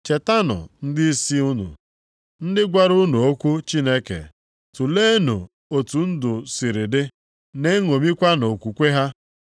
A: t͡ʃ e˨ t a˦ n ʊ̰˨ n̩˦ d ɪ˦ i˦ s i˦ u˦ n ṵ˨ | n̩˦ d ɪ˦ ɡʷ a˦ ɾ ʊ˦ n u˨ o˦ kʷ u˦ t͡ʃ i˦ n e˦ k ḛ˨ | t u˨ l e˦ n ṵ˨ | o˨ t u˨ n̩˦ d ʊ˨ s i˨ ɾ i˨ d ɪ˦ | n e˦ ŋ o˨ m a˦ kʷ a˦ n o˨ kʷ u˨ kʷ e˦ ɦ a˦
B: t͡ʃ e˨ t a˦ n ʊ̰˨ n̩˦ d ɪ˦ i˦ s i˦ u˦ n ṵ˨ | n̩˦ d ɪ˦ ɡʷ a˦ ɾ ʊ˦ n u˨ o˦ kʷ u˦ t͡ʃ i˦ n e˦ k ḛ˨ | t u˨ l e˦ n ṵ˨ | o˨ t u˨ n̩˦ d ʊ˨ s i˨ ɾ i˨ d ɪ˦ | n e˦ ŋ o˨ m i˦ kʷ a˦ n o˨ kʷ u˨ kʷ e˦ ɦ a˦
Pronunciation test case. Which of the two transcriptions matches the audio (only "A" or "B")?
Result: B